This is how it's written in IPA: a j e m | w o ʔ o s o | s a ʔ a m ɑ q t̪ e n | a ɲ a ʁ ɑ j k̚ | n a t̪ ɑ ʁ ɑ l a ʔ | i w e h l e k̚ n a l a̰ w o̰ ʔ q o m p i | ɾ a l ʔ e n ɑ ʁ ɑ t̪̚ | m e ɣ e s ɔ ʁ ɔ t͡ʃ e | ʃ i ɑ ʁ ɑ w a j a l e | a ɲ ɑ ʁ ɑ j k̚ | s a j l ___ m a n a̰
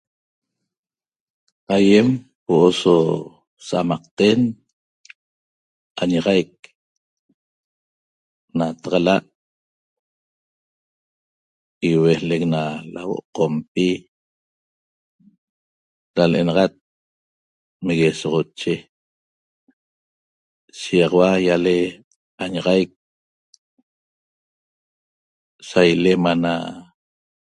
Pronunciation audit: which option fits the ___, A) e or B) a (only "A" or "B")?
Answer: A